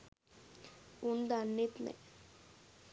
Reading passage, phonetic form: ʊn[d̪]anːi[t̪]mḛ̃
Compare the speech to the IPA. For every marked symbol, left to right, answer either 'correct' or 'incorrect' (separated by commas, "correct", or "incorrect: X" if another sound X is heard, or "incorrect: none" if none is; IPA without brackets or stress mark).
correct, correct